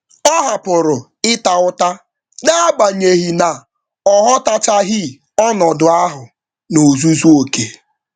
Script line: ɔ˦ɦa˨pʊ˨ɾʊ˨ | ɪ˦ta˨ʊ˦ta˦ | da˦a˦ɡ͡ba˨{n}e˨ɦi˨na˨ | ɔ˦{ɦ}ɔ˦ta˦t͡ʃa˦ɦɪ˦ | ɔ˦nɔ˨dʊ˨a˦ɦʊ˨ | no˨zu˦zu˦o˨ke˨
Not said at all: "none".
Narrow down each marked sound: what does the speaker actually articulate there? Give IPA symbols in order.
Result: ɲ, ɦ

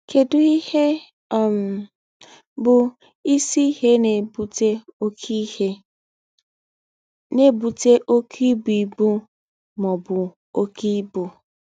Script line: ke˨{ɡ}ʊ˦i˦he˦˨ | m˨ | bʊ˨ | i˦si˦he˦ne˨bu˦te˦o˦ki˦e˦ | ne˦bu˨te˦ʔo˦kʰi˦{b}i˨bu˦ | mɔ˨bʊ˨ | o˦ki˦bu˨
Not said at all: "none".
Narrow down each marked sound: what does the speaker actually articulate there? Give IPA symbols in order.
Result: d, b

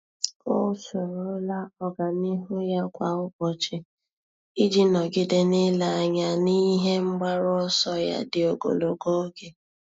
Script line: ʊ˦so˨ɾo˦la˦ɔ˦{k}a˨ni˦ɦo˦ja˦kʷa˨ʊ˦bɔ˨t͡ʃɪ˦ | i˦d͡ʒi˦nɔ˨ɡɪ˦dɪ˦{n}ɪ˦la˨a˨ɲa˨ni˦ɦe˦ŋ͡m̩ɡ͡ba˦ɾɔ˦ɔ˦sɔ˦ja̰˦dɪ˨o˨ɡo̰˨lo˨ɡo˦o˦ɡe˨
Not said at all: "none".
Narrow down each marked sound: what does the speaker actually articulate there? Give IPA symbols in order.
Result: ɡ, n

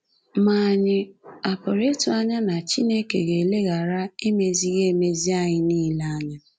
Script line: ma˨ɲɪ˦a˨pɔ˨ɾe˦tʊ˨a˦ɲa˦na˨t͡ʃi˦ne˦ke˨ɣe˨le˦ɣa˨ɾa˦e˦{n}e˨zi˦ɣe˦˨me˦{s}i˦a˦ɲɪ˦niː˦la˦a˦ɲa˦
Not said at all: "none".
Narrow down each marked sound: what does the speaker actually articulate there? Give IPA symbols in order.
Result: m, z

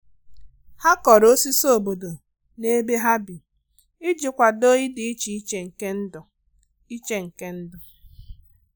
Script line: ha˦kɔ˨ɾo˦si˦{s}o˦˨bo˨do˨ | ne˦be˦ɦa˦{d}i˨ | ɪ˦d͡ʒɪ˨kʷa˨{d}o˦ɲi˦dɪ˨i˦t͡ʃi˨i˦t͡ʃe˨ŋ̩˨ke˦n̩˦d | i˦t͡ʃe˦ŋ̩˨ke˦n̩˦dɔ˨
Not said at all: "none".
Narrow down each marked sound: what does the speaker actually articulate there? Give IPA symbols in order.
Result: s, b, d

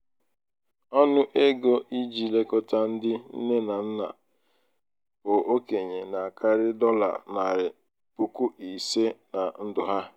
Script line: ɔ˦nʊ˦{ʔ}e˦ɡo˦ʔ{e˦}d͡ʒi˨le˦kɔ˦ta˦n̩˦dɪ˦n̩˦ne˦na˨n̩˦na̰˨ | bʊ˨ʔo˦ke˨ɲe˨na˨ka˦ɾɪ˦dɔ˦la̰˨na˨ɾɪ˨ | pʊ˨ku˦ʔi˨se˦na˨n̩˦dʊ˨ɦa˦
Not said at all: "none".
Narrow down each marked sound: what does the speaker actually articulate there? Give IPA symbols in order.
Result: ʔ, i˦

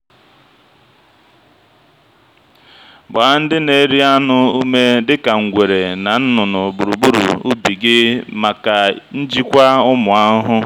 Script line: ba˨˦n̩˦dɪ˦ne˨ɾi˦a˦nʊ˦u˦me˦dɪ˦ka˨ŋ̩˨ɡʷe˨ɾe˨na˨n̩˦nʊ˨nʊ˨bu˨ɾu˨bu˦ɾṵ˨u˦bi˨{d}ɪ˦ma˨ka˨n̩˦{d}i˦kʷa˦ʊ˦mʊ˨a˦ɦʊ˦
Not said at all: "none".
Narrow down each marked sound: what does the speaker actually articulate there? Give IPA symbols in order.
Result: ɡ, d͡ʒ

